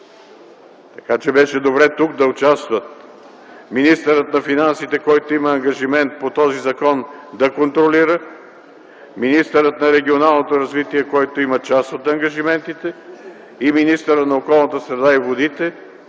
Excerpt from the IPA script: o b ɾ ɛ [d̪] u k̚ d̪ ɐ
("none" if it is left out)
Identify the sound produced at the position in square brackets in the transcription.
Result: t̪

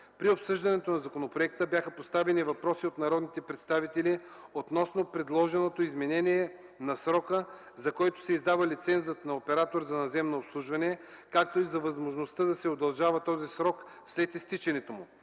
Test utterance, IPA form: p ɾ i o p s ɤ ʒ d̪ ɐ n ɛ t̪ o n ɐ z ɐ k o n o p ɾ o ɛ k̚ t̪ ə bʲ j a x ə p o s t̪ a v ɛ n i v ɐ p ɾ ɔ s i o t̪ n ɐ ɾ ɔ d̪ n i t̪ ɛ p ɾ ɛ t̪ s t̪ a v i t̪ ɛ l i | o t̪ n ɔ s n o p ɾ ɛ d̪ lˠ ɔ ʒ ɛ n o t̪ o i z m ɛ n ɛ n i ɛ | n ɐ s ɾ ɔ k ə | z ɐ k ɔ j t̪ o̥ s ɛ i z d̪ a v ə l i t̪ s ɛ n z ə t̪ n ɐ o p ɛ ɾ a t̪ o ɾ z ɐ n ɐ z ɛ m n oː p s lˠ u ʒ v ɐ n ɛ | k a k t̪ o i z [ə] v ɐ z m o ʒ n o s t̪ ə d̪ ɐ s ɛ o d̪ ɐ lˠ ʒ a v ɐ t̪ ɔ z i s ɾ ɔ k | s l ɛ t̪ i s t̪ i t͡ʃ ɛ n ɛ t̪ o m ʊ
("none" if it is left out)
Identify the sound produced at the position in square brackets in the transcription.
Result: ɐ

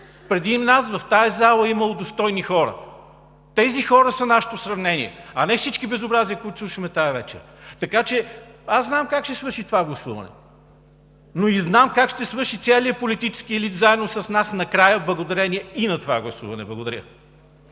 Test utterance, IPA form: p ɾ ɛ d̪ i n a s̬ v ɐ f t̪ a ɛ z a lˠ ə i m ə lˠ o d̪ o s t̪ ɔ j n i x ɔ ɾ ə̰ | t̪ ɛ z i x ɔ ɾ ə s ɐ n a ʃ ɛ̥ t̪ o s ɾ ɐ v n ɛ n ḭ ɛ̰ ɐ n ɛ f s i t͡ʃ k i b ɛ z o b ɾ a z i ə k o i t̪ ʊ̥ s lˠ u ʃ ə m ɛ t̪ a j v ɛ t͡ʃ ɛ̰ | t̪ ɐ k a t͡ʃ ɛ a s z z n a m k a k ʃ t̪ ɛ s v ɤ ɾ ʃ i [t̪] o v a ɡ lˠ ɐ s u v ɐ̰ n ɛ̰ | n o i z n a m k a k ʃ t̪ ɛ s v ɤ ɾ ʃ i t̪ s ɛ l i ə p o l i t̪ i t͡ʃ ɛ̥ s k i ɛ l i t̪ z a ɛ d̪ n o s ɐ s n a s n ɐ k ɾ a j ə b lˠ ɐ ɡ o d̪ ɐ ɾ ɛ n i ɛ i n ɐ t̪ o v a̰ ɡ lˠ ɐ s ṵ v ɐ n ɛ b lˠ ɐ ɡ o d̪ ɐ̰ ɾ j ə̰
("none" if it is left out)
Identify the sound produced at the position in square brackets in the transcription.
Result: t̪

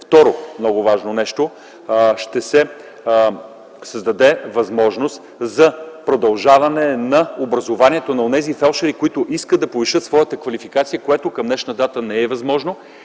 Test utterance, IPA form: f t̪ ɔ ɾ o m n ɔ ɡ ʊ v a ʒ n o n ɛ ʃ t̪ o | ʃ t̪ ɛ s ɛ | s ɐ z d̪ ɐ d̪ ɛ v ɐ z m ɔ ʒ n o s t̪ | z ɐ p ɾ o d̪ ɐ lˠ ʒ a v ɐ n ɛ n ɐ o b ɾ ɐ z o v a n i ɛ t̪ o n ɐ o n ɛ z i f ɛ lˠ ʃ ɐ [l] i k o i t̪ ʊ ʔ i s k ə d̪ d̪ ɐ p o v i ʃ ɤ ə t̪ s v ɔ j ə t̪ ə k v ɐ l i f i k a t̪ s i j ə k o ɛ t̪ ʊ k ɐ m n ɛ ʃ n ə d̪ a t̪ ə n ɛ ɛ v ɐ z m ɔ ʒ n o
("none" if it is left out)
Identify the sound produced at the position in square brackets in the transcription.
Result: ɾ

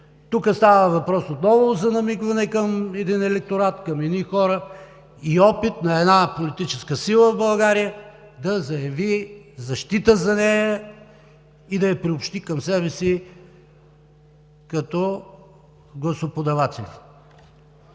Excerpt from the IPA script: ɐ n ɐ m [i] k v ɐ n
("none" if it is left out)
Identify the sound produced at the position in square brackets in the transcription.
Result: i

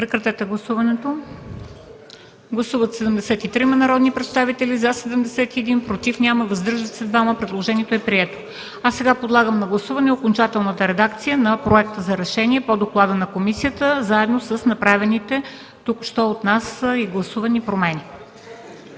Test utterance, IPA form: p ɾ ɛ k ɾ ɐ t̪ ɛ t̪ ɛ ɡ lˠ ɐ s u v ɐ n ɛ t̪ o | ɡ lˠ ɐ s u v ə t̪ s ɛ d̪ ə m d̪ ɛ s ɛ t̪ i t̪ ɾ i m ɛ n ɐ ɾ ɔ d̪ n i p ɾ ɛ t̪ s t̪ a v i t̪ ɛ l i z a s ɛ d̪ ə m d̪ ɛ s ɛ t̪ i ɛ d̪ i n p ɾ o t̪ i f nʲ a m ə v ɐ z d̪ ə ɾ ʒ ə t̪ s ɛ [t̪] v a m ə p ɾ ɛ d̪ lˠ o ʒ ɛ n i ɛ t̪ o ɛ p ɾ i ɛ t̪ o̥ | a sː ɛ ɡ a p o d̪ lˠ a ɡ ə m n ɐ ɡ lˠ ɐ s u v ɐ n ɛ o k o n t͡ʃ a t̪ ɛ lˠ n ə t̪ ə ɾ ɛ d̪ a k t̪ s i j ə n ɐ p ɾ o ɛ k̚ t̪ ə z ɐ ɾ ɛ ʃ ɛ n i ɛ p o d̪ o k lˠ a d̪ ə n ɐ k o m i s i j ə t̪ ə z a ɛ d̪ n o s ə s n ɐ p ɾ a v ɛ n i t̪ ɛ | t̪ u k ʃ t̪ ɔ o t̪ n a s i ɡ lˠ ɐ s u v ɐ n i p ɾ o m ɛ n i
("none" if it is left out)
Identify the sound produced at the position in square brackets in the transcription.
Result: d̪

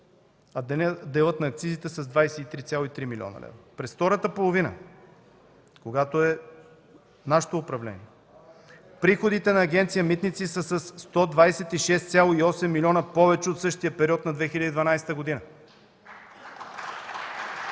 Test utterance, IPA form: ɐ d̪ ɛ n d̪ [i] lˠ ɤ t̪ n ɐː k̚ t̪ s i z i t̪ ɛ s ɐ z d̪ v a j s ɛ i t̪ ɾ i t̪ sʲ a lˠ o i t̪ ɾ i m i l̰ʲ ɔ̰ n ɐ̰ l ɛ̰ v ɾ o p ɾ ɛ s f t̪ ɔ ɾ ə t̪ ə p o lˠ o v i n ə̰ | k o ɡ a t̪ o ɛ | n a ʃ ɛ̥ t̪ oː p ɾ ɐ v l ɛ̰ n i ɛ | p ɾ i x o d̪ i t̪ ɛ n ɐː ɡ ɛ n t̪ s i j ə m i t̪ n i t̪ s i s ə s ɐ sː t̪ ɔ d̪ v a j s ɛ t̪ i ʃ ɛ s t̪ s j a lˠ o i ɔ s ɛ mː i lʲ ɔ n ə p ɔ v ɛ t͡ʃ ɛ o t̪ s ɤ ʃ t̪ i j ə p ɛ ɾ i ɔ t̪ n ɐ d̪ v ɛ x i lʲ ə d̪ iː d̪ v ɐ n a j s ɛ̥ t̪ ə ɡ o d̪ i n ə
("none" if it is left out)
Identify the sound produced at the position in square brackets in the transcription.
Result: ɛ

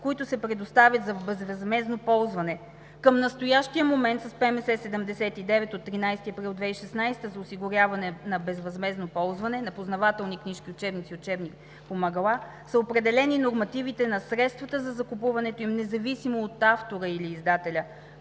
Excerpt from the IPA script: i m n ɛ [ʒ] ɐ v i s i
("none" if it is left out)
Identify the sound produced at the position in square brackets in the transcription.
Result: z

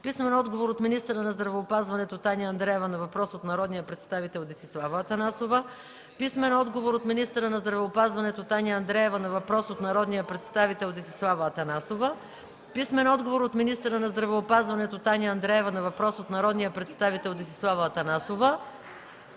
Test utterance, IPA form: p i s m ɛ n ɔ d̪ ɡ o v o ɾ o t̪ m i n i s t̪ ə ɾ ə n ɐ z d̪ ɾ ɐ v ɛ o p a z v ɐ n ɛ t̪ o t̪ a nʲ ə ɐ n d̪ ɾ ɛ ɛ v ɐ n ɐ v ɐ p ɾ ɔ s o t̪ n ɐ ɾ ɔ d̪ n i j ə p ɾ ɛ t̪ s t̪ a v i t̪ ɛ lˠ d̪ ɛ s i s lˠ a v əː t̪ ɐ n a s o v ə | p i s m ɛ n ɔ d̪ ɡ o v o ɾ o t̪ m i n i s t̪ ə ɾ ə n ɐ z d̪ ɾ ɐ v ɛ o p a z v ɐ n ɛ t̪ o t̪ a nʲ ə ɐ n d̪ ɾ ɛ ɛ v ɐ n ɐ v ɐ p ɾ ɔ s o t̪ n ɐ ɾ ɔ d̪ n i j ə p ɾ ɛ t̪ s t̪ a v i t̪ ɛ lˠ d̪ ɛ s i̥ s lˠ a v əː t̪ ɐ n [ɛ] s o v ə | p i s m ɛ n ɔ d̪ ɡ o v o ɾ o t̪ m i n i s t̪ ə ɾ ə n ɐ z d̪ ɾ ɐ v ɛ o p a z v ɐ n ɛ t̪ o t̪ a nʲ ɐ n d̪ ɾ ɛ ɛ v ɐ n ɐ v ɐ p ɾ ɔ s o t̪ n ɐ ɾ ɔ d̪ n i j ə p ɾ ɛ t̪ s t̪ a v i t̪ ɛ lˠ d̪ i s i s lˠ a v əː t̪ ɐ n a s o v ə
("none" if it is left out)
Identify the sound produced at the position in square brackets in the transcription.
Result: a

